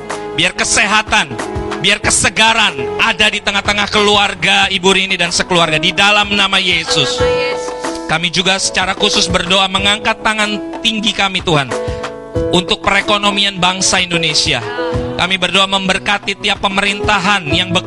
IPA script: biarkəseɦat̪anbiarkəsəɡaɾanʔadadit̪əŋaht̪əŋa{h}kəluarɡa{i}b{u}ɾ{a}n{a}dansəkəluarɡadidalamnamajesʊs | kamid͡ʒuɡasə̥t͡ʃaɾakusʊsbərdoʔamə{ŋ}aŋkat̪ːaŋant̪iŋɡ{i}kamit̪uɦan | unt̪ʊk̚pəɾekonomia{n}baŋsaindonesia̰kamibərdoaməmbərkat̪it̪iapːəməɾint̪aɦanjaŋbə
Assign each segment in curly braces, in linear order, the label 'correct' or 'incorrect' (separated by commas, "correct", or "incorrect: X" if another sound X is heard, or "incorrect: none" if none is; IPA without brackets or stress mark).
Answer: correct, correct, correct, incorrect: i, incorrect: i, correct, correct, correct